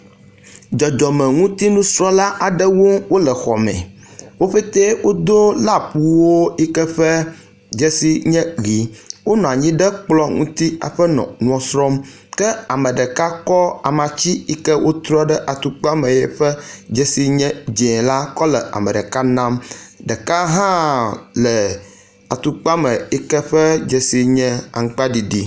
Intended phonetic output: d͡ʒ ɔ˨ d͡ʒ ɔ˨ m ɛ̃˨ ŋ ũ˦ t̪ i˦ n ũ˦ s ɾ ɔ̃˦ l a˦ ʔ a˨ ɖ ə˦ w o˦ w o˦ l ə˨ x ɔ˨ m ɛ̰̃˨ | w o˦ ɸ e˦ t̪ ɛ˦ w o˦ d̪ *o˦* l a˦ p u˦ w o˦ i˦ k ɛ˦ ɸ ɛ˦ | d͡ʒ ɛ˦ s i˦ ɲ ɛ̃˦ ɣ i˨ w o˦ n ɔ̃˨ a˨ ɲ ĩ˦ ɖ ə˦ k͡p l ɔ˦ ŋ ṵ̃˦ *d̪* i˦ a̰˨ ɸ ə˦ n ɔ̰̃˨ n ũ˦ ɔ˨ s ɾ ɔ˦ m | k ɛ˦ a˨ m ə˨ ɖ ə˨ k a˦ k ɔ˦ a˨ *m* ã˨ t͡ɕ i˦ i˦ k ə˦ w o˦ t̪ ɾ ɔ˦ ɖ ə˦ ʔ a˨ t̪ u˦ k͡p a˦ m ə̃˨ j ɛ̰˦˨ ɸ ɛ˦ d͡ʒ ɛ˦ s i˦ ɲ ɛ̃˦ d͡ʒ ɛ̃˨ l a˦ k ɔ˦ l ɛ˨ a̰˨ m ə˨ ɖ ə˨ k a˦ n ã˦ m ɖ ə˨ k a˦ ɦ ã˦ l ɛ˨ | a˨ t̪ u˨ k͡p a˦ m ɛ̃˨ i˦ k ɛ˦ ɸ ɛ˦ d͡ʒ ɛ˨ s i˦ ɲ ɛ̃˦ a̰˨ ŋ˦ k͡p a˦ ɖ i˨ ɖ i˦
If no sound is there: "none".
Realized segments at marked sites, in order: o˦, t̪, m

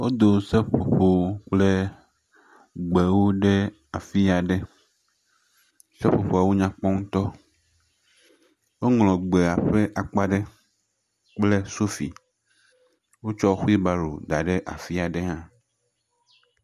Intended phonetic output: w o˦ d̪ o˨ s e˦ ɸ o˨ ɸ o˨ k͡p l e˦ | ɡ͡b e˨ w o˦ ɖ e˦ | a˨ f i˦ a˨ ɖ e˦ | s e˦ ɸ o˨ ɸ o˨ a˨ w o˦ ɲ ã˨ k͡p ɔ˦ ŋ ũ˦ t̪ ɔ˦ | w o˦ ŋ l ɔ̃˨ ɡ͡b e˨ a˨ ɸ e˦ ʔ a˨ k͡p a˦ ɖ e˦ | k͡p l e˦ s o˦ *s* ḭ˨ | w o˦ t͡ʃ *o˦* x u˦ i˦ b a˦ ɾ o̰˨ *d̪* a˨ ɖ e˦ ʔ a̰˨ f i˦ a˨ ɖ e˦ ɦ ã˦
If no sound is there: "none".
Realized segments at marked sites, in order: f, ɔ˦, d̪

